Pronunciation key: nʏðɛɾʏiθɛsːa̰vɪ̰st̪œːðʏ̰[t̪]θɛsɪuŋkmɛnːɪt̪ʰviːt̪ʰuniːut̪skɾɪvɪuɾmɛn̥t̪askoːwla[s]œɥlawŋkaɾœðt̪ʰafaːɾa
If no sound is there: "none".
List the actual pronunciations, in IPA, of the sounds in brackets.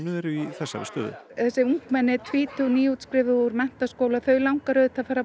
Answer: none, θ

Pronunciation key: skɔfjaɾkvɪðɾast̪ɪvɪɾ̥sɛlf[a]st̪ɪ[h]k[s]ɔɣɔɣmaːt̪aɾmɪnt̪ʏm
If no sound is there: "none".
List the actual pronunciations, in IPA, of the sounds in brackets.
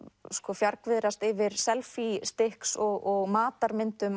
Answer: i, h, s

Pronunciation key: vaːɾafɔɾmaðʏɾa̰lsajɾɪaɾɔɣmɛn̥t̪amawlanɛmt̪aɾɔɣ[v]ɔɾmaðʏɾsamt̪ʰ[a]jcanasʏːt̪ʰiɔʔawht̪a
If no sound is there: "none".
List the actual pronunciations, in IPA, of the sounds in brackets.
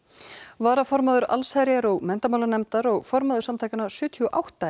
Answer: f, a

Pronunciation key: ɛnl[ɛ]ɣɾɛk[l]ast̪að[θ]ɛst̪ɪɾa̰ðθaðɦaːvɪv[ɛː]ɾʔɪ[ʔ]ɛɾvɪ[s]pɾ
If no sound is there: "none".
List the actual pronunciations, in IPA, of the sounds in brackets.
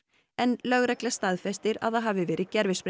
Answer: œ, l, f, ɛː, c, s

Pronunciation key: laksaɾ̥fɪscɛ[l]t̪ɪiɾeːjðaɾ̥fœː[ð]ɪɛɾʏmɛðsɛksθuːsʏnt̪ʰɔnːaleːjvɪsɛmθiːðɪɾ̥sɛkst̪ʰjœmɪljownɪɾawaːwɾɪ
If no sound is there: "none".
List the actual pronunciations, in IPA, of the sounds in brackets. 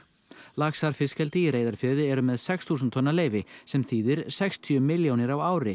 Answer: l, ð

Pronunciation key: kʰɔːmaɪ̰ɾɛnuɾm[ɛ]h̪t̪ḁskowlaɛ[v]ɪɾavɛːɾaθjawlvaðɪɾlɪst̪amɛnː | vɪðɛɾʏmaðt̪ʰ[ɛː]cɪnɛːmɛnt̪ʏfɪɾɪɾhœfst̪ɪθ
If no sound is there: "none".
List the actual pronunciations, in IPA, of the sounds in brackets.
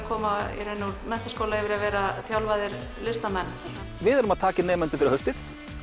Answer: ɛ, v, aː

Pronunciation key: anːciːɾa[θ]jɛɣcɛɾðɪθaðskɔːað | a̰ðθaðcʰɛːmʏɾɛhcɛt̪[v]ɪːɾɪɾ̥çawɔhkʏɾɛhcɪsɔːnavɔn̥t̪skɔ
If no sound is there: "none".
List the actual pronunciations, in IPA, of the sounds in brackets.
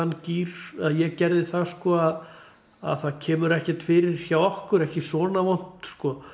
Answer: ð, f

